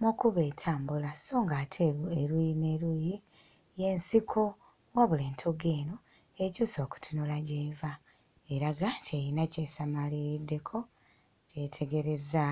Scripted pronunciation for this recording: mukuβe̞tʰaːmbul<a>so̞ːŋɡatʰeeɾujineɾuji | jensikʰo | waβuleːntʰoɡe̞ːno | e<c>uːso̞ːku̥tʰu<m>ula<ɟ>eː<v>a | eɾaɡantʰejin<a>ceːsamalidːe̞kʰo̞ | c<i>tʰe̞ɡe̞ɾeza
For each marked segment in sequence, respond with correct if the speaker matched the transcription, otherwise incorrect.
correct, correct, incorrect, correct, correct, correct, incorrect

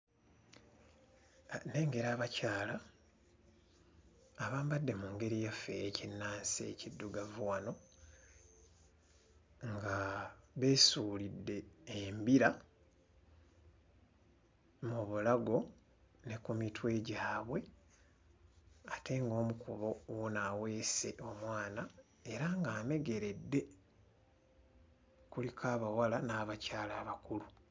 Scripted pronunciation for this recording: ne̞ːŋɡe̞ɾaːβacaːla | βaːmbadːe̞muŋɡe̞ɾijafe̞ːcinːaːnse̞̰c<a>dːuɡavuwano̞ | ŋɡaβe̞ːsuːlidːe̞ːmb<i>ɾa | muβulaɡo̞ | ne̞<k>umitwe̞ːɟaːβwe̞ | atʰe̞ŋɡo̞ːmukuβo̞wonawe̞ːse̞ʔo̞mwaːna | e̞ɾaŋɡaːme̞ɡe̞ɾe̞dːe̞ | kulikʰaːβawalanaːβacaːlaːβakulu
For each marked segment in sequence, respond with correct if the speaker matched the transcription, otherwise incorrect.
incorrect, correct, correct

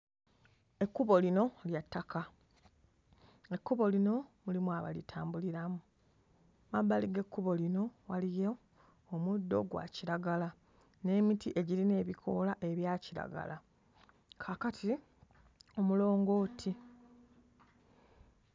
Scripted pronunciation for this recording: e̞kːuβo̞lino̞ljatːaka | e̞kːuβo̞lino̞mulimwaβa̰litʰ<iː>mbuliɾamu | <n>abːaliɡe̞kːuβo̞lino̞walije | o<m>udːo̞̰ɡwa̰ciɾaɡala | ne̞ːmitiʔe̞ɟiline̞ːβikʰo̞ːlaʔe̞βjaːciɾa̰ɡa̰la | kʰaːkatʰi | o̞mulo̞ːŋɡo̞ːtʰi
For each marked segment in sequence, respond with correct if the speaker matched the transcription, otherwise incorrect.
incorrect, incorrect, correct

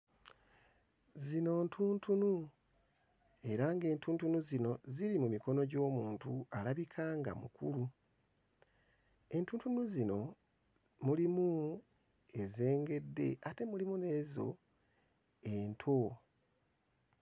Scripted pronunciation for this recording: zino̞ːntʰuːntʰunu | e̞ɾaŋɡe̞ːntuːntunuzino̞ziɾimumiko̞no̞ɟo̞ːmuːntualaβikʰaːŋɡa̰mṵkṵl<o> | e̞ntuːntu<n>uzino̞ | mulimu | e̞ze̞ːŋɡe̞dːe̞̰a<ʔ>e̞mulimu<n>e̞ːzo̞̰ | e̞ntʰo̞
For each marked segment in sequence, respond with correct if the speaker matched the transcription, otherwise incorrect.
incorrect, correct, incorrect, correct

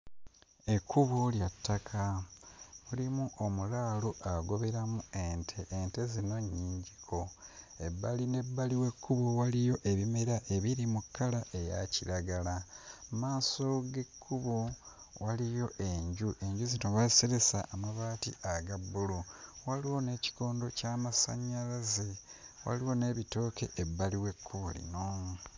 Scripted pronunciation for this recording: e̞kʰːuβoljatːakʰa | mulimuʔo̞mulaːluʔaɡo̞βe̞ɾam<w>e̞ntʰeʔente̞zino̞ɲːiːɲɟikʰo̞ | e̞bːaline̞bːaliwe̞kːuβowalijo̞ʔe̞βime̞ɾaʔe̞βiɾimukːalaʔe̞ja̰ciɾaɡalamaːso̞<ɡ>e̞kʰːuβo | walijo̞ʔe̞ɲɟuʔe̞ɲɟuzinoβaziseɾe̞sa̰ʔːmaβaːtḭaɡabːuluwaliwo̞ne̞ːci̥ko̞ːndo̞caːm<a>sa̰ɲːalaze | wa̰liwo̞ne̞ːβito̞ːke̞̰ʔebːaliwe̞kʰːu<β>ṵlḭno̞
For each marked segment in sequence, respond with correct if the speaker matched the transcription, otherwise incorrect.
incorrect, correct, correct, correct

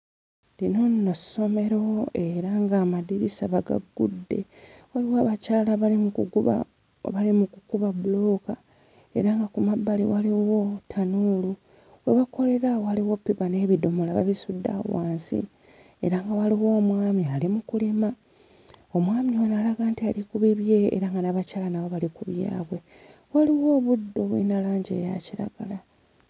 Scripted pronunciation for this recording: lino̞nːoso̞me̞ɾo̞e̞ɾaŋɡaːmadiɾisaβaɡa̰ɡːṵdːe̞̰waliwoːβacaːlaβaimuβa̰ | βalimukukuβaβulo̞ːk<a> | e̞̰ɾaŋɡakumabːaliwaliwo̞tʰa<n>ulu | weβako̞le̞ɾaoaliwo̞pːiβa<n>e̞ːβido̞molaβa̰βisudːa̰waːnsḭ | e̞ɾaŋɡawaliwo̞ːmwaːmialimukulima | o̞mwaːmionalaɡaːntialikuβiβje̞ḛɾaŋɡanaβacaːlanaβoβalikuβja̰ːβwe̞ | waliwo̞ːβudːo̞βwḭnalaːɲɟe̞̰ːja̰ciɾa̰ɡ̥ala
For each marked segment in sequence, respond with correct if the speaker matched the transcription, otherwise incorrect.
correct, correct, correct

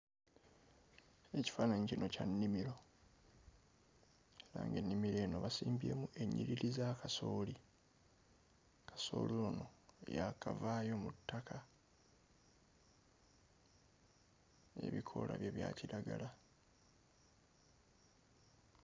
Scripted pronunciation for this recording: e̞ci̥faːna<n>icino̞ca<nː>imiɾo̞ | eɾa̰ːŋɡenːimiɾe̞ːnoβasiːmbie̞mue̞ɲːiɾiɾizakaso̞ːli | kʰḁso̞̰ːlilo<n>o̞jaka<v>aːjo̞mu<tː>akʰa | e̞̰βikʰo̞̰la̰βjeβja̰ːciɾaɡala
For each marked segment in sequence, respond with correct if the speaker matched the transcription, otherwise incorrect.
incorrect, correct, correct, correct, correct

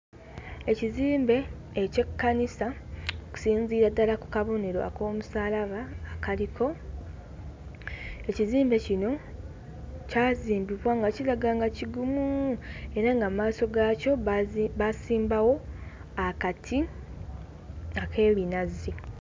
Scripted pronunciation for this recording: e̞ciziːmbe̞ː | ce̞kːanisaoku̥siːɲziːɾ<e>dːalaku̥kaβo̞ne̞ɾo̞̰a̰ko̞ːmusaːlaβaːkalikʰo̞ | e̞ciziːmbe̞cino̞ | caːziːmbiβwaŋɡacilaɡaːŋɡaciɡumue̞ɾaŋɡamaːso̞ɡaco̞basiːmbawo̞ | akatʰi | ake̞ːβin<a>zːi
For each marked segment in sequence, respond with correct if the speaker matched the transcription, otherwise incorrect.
incorrect, correct

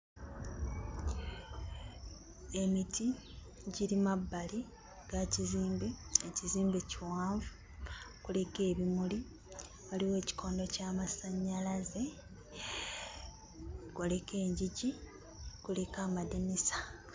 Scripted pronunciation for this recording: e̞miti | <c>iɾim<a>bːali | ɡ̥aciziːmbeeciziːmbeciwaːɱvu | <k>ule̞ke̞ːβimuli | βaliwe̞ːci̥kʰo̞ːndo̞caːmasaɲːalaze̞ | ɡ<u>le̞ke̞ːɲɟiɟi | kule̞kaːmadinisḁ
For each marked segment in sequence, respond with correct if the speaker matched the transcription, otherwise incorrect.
incorrect, correct, correct, incorrect

